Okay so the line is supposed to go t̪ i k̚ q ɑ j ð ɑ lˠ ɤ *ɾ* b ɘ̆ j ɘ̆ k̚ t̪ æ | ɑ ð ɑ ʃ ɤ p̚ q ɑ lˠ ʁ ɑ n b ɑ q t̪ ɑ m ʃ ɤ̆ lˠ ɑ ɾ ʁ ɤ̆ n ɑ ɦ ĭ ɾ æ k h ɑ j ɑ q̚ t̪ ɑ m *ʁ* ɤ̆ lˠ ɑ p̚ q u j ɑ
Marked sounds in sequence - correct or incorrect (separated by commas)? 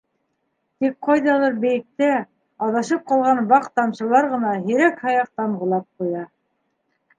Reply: correct, correct